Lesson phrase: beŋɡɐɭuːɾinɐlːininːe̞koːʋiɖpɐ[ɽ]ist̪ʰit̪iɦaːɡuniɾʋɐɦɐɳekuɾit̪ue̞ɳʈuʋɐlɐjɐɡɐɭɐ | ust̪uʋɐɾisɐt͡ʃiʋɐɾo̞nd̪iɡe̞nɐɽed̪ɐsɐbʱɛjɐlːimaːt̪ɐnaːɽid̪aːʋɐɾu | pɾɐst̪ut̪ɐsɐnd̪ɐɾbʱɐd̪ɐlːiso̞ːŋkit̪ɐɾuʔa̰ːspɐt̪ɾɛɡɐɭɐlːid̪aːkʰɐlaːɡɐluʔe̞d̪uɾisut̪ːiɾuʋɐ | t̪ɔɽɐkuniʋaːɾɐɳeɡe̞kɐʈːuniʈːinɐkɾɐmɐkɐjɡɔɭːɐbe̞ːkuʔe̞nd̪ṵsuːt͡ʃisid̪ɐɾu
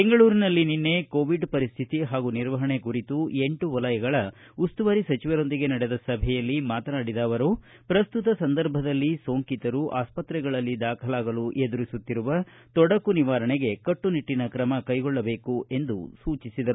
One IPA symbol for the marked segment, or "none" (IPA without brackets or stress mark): ɾ